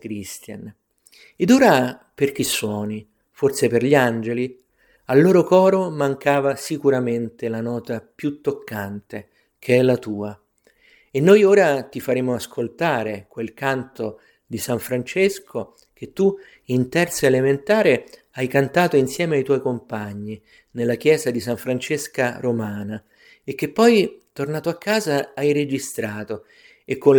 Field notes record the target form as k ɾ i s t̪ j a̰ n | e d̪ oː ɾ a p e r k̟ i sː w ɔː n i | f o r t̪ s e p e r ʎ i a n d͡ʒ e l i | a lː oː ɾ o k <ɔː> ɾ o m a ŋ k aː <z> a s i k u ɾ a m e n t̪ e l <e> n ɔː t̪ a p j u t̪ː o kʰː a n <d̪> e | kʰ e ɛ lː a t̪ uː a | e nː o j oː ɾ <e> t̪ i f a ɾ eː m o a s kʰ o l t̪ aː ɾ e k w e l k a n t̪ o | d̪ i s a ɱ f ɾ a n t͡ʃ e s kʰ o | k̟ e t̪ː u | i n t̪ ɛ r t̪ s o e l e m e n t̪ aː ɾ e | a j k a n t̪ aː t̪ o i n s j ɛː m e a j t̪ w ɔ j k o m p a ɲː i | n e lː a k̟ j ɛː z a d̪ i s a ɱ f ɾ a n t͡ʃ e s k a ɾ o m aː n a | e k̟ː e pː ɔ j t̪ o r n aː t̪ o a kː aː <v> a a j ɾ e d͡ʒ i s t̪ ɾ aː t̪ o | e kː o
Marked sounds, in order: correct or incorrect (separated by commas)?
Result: correct, incorrect, incorrect, incorrect, incorrect, incorrect